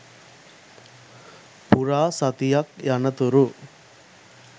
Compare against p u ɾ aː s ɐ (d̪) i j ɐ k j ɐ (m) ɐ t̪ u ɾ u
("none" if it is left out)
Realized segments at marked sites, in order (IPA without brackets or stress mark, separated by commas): t̪, n